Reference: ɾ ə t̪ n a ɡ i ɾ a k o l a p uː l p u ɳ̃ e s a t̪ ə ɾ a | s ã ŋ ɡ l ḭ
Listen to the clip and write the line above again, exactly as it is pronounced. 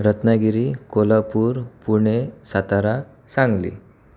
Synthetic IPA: ɾ ə t̪ n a ɡ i ɾ i k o l a p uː ɾ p u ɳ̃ e s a t̪ a ɾ a | s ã ŋ ɡ l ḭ